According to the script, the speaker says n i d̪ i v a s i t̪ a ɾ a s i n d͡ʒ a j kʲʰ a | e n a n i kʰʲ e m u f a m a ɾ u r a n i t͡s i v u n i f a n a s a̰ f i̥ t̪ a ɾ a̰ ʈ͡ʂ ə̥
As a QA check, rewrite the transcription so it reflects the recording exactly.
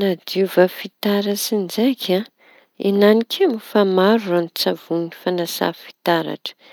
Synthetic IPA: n a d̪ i v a f i t̪ a ɾ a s i n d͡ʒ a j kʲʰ a | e n a n i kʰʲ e m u f a m a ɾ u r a n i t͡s a v u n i f a n a s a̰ f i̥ t̪ a ɾ a̰ ʈ͡ʂ ə̥